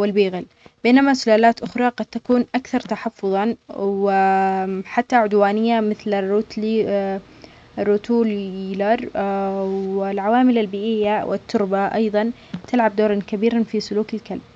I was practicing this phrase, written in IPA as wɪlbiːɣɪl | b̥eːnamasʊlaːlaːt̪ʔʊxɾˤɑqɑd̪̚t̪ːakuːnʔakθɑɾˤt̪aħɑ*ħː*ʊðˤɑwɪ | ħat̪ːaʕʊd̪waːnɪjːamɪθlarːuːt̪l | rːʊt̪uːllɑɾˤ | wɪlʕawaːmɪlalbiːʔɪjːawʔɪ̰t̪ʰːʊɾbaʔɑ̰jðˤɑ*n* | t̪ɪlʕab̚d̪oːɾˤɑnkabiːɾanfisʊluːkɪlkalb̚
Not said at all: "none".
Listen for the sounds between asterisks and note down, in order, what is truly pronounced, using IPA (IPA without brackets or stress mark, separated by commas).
fː, n